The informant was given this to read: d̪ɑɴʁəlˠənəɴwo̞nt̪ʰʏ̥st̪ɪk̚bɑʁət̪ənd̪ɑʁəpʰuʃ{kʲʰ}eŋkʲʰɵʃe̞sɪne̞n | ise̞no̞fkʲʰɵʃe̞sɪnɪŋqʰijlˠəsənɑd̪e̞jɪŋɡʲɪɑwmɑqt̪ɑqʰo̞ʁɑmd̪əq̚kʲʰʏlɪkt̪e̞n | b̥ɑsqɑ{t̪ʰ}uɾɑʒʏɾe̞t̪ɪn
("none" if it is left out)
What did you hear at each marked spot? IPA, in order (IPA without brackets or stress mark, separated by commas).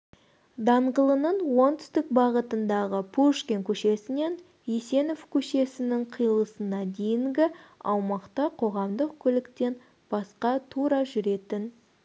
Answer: kʲ, t̪ʰ